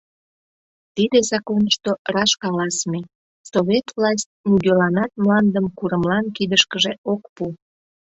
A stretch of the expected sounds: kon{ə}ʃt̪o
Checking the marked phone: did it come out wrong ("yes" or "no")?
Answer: no